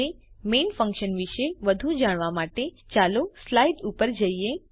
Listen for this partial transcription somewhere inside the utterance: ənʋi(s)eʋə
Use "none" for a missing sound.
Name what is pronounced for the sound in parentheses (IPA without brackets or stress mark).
ʃ